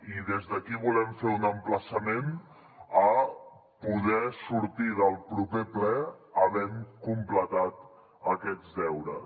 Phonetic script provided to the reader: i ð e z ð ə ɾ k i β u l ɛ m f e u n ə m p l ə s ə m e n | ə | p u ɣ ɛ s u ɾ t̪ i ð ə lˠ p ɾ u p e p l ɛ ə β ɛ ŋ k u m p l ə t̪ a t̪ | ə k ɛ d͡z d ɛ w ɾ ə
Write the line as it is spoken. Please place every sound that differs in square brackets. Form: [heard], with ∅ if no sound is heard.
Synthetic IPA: i ð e z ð ə [∅] k i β u l ɛ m f e u n ə m p l ə s ə m e n | ə | p u [ð] ɛ s u ɾ t̪ i ð ə lˠ p ɾ u p e p l ɛ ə β ɛ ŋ k u m p l ə t̪ a t̪ | ə k ɛ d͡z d ɛ w ɾ ə

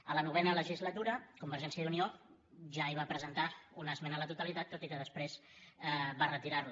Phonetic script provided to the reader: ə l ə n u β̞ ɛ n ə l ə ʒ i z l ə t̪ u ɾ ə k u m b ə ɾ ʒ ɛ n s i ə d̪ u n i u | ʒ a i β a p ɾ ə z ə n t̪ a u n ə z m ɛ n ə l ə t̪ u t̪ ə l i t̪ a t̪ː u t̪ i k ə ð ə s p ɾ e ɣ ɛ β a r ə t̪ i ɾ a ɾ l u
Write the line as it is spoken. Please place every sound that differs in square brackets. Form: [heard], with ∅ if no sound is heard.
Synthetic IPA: ə l ə n u β̞ ɛ n ə l ə ʒ i z l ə t̪ u ɾ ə k u m b ə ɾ ʒ ɛ n s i ə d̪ u n i [o] | ʒ a i β a p ɾ ə z ə n t̪ a u n ə z m ɛ n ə l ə t̪ u t̪ ə l i t̪ a t̪ː [o] t̪ i k ə ð ə s p ɾ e [z] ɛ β a r ə t̪ i ɾ a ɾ l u

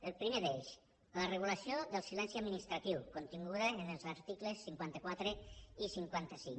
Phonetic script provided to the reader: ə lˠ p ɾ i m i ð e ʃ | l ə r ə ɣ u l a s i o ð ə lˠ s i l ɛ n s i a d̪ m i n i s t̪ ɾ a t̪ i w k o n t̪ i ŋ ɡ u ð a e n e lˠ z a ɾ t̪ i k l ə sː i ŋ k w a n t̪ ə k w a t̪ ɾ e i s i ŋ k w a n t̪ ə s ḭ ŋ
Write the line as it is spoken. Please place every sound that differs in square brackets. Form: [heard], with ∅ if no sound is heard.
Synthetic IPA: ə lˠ p ɾ i m [e] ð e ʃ | l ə r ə ɣ u l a s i o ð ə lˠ s i l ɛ n s i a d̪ m i n i s t̪ ɾ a t̪ i w k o n t̪ i ŋ ɡ u ð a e n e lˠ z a ɾ t̪ i k l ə sː i ŋ k w a n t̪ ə k w a t̪ ɾ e i s i ŋ k w a n t̪ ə s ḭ ŋ

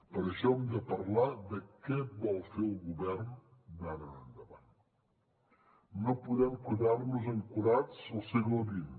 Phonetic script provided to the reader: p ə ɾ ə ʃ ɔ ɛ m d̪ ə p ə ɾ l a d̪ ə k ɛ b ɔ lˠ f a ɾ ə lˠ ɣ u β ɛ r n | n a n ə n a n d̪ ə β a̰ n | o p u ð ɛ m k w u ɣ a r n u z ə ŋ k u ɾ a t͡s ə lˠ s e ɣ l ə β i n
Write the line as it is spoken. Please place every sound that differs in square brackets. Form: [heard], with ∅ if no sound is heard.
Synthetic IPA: p ə ɾ ə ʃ ɔ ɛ m d̪ ə p ə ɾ l a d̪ ə k ɛ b ɔ lˠ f [e] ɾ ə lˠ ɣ u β ɛ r n | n a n ə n [ə] n d̪ ə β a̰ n | o p u ð ɛ m k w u [ð] a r n u z ə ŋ k u ɾ a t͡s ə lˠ s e ɣ l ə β i n

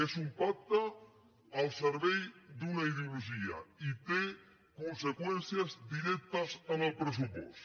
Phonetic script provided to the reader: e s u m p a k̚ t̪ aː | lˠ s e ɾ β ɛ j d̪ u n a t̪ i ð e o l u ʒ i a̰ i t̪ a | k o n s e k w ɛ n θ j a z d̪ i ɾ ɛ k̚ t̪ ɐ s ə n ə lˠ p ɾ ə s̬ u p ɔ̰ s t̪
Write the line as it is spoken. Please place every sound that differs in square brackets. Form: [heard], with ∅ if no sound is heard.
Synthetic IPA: e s u m p a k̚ t̪ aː | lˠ s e ɾ β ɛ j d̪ u n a [∅] i ð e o l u ʒ i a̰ i t̪ [e] | k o n s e k w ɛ n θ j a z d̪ i ɾ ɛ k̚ t̪ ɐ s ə n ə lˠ p ɾ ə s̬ u p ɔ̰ s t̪

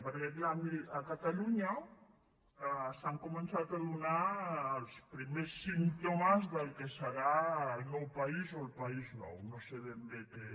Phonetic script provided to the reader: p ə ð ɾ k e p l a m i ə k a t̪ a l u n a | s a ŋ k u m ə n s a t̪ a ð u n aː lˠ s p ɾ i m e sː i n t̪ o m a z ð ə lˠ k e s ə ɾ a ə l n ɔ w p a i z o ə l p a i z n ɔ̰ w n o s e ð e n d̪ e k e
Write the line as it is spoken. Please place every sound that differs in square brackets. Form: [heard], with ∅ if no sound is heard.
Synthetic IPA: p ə [∅] ɾ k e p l a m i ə k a t̪ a l u [ɲ] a | s a ŋ k u m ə n s a t̪ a ð u n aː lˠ s p ɾ i m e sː i n t̪ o m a z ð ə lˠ k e s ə ɾ a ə l n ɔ w p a i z o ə l p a i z n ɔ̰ w n o s e ð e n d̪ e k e

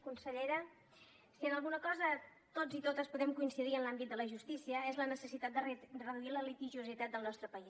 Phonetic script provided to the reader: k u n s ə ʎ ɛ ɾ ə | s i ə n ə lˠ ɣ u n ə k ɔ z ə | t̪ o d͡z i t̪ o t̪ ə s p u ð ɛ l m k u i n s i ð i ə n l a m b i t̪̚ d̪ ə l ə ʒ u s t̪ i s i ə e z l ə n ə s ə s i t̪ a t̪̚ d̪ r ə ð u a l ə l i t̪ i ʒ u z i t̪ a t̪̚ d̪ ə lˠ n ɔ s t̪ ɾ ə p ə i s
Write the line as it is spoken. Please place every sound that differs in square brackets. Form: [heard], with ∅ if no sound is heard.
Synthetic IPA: k u n s ə ʎ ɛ ɾ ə | s i ə n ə lˠ ɣ u n ə k ɔ z ə | t̪ o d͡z i t̪ o t̪ ə s p u ð ɛ [∅] m k u i n s i ð i ə n l a m b i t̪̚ d̪ ə l ə ʒ u s t̪ i s i ə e z l ə n ə s ə s i t̪ a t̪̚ d̪ r ə ð u [i] l ə l i t̪ i ʒ u z i t̪ a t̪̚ d̪ ə lˠ n ɔ s t̪ ɾ ə p ə i s

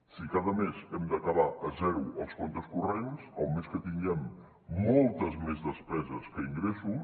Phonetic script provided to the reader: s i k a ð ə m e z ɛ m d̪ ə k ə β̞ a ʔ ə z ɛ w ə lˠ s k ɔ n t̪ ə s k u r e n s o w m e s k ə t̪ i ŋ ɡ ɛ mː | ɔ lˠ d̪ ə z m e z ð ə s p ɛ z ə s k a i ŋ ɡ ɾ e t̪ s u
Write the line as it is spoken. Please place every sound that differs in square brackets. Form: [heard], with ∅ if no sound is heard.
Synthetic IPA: s i k a ð ə m e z ɛ m d̪ ə k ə β̞ a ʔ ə z ɛ w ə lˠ s k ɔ n t̪ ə s k u r e n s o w m e s k ə t̪ i ŋ ɡ ɛ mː | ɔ lˠ [t̪] ə z m e z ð ə s p ɛ z ə s k [ə] i ŋ ɡ ɾ e [∅] s u

